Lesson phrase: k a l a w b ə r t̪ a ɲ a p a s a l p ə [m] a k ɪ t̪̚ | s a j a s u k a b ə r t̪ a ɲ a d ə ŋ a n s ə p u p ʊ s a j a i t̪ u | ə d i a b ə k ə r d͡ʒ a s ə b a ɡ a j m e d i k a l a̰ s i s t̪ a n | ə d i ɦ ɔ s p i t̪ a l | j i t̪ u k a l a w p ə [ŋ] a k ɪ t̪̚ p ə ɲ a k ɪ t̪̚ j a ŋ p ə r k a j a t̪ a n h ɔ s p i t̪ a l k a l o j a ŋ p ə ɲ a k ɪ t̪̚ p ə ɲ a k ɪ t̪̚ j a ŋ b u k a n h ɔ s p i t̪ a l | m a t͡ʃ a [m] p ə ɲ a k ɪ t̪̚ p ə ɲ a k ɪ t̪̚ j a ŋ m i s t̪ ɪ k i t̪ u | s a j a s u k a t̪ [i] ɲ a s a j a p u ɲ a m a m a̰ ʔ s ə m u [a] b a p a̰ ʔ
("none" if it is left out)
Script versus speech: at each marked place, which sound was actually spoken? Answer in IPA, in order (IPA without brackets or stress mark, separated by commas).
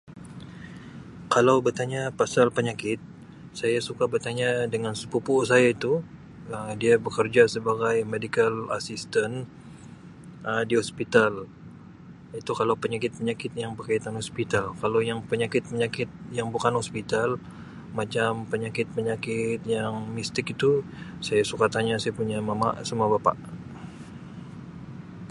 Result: ɲ, ɲ, m, a, a